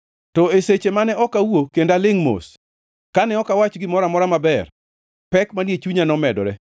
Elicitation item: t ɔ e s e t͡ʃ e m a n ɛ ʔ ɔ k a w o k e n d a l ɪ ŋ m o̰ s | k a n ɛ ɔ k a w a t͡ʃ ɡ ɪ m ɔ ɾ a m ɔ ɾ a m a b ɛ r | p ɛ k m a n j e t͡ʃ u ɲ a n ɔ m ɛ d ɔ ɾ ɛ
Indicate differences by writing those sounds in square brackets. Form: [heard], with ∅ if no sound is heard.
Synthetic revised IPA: t ɔ e s e t͡ʃ e m a n ɛ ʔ ɔ k a w o k e n d a l ɪ ŋ m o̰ s | k a n ɛ ɔ k a w a t͡ʃ ɡ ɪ m ɔ ɾ a m ɔ ɾ a m a b ɛ r | p ɛ k m a n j e t͡ʃ u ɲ a n ɔ m ɛ d ɔ ɾ ɛ